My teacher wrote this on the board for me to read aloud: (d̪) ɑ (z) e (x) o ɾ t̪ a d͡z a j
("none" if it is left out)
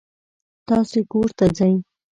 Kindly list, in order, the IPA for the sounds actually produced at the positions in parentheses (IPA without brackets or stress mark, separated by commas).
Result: t̪, s, k